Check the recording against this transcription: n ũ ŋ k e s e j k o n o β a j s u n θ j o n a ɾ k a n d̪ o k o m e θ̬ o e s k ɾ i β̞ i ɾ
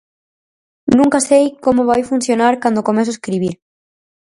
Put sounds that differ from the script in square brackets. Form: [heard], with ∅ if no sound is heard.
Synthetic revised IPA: n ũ ŋ k [a] s e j k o [m] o β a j [f] u n θ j o n a ɾ k a n d̪ o k o m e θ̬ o e s k ɾ i β̞ i ɾ